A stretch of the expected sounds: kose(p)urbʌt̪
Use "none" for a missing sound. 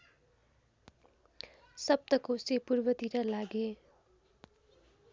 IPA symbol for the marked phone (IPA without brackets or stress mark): p